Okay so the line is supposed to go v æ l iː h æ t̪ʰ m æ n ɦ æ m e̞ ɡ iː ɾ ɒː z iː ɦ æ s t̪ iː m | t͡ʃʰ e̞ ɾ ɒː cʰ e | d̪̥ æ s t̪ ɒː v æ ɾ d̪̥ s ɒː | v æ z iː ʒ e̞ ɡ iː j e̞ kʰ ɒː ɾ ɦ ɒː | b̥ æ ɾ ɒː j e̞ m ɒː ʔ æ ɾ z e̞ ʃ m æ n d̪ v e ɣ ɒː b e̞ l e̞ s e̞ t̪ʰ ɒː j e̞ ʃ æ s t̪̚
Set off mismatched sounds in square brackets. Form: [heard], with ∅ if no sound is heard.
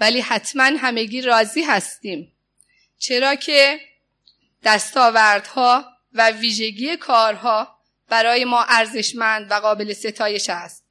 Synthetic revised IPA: v æ l iː h æ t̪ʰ m æ n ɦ æ m e̞ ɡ iː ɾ ɒː z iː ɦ æ s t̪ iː m | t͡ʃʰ e̞ ɾ ɒː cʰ e | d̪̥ æ s t̪ ɒː v æ ɾ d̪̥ [h] ɒː | v æ [v] iː ʒ e̞ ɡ iː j e̞ kʰ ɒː ɾ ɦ ɒː | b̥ æ ɾ ɒː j e̞ m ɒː ʔ æ ɾ z e̞ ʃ m æ n d̪ v [æ] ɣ ɒː b e̞ l e̞ s e̞ t̪ʰ ɒː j e̞ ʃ æ s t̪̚